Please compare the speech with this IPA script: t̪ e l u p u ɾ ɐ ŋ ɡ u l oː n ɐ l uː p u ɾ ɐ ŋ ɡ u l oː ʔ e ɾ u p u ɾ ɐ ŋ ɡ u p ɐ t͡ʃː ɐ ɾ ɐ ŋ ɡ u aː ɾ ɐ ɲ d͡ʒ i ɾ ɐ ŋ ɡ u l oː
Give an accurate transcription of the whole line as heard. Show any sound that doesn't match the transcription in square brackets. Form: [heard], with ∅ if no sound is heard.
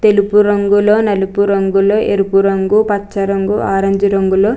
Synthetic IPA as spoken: t̪ e l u p u ɾ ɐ ŋ ɡ u l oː n ɐ l [u] p u ɾ ɐ ŋ ɡ u l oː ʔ e ɾ u p u ɾ ɐ ŋ ɡ u p ɐ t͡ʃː ɐ ɾ ɐ ŋ ɡ u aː ɾ ɐ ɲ d͡ʒ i ɾ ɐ ŋ ɡ u l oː